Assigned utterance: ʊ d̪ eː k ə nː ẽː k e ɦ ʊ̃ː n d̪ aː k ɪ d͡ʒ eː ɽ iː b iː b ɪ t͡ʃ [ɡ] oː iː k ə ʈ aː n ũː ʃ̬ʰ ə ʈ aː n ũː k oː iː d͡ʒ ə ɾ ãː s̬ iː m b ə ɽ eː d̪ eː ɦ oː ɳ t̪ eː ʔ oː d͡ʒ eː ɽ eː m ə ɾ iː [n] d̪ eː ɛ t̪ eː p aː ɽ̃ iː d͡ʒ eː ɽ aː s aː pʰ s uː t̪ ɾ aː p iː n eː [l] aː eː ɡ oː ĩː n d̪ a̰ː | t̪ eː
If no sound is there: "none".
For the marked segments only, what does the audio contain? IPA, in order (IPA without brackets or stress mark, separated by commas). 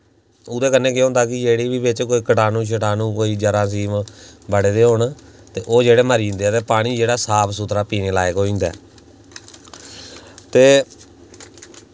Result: k, n, l